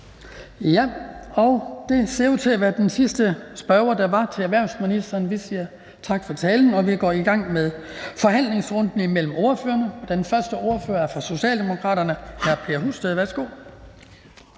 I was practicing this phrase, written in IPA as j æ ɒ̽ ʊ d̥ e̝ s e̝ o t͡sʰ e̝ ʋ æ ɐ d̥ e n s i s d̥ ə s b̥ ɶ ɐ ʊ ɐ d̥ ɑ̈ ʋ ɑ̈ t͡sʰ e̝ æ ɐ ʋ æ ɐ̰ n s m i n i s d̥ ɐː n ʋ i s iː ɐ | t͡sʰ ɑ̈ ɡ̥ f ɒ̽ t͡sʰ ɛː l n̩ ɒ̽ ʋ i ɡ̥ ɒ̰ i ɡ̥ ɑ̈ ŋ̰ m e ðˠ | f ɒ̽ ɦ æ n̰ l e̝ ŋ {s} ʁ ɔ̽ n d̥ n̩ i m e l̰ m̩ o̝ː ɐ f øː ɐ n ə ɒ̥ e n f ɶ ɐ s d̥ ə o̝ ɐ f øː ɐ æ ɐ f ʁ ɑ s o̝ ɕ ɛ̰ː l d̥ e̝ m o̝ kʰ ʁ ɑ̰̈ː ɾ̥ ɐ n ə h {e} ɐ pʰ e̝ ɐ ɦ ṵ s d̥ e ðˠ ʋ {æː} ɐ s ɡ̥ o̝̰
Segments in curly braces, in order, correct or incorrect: correct, incorrect: æ, incorrect: æ

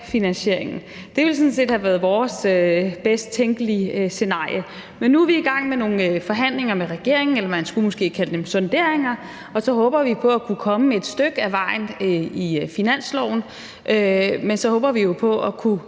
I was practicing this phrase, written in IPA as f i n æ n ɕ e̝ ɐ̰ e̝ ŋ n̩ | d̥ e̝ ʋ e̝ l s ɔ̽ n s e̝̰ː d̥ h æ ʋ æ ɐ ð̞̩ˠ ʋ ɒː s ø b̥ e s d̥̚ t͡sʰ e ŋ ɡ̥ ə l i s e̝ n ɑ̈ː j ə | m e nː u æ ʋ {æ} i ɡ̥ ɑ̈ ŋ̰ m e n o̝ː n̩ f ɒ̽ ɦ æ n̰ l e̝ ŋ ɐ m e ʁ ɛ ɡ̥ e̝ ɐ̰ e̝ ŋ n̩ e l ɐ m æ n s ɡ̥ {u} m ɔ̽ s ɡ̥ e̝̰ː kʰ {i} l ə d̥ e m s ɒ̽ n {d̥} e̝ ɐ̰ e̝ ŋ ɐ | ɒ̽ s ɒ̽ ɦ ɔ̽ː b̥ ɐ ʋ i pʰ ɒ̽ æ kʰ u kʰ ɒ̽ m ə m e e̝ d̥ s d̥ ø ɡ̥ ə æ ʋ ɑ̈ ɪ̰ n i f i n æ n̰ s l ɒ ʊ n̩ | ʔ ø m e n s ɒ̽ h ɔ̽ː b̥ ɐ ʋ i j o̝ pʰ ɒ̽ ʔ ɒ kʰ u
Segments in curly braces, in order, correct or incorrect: incorrect: i, correct, incorrect: æ, correct

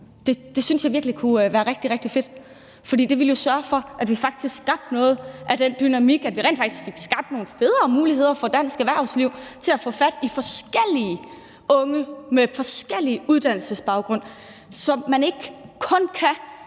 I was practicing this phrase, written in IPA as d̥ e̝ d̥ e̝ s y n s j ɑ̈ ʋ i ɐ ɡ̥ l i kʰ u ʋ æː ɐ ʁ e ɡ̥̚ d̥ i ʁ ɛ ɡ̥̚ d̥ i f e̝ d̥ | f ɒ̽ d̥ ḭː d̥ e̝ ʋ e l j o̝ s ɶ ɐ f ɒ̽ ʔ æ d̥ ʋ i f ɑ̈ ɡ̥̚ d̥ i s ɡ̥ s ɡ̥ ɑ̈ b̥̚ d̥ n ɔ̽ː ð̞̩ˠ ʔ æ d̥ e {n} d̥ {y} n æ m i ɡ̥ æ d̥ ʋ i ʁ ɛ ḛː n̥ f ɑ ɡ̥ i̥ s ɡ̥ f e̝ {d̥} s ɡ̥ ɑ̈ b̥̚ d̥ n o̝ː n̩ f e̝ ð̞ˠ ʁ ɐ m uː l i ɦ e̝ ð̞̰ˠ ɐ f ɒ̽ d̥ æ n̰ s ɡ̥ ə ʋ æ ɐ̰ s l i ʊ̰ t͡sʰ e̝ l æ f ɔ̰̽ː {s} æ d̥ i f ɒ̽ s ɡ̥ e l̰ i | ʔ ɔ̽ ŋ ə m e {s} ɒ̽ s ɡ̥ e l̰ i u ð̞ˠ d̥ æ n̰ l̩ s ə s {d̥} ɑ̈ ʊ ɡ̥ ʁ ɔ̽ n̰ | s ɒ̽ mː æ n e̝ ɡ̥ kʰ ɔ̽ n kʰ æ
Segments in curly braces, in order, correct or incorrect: correct, correct, incorrect: ɡ̥, incorrect: f, incorrect: f, incorrect: b̥

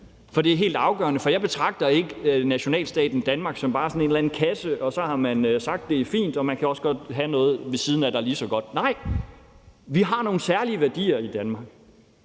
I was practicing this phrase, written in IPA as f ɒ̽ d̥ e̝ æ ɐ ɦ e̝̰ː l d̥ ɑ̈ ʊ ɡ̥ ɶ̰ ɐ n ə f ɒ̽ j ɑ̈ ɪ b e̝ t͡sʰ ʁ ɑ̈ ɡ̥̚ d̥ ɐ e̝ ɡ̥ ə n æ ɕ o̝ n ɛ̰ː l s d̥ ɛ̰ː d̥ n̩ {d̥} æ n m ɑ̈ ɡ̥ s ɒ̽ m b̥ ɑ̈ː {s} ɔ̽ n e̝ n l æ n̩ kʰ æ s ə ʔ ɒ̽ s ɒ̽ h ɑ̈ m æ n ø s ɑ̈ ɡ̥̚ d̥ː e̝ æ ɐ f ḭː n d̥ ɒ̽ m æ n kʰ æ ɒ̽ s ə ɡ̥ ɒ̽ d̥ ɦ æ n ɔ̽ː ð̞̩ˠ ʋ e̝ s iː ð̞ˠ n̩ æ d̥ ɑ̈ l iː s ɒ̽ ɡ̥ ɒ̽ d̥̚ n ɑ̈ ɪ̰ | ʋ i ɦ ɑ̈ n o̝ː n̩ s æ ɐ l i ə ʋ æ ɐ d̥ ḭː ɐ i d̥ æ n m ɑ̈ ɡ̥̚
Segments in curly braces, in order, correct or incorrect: correct, correct

